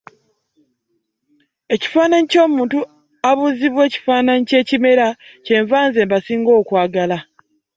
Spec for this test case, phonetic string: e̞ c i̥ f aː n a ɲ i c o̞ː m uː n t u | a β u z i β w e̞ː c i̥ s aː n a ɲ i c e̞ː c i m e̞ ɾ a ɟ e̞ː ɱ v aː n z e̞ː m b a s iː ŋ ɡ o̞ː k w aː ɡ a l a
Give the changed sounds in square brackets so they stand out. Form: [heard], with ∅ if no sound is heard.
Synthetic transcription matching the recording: e̞ c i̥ f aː n a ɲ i c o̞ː m uː n t u | a β u z i β w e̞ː c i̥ [f] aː n a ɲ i c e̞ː c i m e̞ ɾ a [c] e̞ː ɱ v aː n z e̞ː m b a s iː ŋ ɡ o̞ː k w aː ɡ a l a